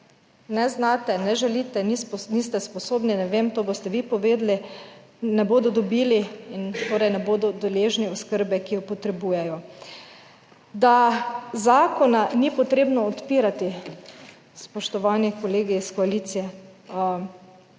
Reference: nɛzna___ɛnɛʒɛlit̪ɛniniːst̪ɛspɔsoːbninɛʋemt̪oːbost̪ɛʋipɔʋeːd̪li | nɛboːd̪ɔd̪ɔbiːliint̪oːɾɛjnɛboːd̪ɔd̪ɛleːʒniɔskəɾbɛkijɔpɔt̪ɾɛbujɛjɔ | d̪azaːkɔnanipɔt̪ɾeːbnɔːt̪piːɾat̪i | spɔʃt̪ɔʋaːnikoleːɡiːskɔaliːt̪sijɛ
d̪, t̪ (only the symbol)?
t̪